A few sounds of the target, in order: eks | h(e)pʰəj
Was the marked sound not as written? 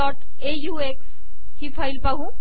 yes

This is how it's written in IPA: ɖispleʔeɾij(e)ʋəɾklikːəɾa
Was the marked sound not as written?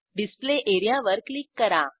yes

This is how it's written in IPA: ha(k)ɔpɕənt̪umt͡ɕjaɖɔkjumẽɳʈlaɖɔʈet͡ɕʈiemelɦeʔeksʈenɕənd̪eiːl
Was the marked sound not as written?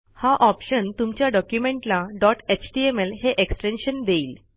yes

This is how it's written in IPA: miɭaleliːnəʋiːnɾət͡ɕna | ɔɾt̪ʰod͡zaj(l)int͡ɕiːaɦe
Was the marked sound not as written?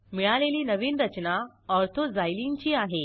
no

